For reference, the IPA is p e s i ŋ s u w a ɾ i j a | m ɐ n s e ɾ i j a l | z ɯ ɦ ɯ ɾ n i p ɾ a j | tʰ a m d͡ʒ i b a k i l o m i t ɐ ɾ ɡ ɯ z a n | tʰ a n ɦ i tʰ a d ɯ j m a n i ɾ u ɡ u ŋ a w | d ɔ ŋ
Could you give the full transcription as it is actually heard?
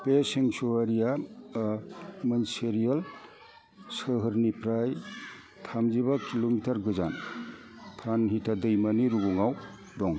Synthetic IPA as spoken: p e s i ŋ s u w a ɾ i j a | m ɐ n s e ɾ i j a l | s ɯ ɦ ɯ ɾ n i p ɾ a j | tʰ a m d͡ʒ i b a k i l o m i t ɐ ɾ ɡ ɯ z a n | tʰ a n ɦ i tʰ a d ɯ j m a n i ɾ u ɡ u ŋ a w | d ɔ ŋ

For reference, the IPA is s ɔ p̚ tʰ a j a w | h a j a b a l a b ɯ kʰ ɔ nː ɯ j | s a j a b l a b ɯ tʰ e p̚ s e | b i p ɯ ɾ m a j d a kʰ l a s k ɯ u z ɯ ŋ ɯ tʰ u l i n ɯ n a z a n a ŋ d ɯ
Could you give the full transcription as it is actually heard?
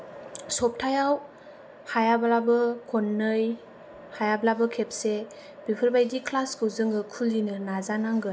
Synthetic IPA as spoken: s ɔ p̚ tʰ a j a w | h a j a b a l a b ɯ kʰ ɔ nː ɯ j | h a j a b l a b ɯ kʰ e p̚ s e | b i pʰ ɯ ɾ b a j d i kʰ l a s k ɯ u z ɯ ŋ ɯ kʰ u l i n ɯ n a z a n a ŋ ɡ ɯ

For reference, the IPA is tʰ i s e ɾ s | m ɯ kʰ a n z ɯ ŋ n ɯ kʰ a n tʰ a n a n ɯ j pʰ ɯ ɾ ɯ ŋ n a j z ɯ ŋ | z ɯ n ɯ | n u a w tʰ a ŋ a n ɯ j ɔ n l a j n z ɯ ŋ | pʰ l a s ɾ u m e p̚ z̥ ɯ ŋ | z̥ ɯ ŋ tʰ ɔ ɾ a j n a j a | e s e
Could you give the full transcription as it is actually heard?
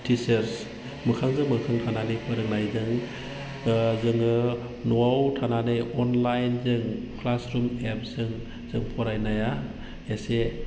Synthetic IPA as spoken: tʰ i s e ɾ s | m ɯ kʰ a ŋ z ɯ ŋ m ɯ kʰ a ŋ tʰ a n a n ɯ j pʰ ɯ ɾ ɯ ŋ n a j z ɯ ŋ | z ɯ ŋ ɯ | n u a w tʰ a n a n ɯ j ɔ n l a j n z ɯ ŋ | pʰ l a s ɾ u m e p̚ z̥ ɯ ŋ | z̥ ɯ ŋ pʰ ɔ ɾ a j n a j a | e s e

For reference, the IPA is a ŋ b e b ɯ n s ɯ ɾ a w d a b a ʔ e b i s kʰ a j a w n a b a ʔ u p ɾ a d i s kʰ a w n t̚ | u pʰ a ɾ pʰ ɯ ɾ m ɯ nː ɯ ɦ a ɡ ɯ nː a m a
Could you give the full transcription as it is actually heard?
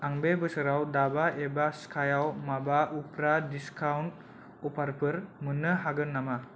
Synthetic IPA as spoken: a ŋ b e b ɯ s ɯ ɾ a w d a b a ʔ e b a s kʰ a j a w m a b a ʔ u p ɾ a d i s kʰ a w n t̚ | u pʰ a ɾ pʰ ɯ ɾ m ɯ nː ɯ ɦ a ɡ ɯ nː a m a

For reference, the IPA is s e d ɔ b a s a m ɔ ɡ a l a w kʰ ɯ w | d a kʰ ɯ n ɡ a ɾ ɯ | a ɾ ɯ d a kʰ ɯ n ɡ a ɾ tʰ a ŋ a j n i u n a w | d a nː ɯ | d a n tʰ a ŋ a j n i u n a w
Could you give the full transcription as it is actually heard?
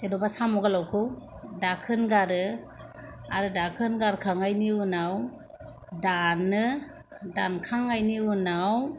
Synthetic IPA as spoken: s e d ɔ b a s a m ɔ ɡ a l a w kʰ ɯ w | d a kʰ ɯ n ɡ a ɾ ɯ | a ɾ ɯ d a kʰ ɯ n ɡ a ɾ kʰ a ŋ a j n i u n a w | d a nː ɯ | d a n kʰ a ŋ a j n i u n a w

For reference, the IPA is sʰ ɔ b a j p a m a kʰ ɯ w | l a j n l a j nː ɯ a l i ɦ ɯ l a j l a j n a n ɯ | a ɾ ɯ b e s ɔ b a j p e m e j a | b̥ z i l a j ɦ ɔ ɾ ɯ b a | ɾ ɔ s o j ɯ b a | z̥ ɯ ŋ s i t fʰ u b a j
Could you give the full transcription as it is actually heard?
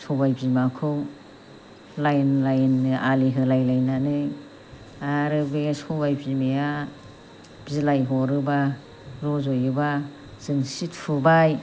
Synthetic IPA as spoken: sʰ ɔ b a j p i m a kʰ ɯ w | l a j n l a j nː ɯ a l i ɦ ɯ l a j l a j n a n ɯ | a ɾ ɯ b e s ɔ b a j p i m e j a | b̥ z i l a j ɦ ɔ ɾ ɯ b a | ɾ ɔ z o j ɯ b a | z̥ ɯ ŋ s i t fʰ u b a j

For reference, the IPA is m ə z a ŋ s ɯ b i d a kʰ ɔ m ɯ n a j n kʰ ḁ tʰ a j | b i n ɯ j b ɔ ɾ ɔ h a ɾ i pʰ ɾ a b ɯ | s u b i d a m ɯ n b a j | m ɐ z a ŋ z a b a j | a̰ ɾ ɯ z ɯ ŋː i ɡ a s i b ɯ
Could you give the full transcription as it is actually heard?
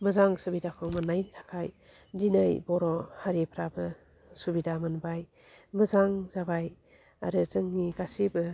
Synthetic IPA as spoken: m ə z a ŋ s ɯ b i d a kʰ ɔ m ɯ n a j n tʰ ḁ kʰ a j | d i n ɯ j b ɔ ɾ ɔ h a ɾ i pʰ ɾ a b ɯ | s u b i d a m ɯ n b a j | m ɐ z a ŋ z a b a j | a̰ ɾ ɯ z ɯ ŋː i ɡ a s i b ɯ

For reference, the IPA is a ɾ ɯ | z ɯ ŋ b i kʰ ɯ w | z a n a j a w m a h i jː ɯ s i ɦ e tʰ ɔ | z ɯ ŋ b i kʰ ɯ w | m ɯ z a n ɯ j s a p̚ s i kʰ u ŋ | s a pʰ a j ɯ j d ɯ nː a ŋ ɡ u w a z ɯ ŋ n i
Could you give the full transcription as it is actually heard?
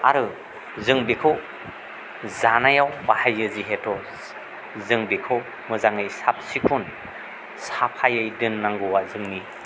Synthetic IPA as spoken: a ɾ ɯ | z ɯ ŋ b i kʰ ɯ w | z a n a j a w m a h a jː ɯ z i ɦ e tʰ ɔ | z ɯ ŋ b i kʰ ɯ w | m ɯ z a ŋ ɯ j s a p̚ s i kʰ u n | s a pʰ a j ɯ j d ɯ nː a ŋ ɡ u w a z ɯ ŋ n i

